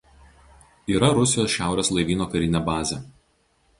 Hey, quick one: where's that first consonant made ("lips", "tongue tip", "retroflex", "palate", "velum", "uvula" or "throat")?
tongue tip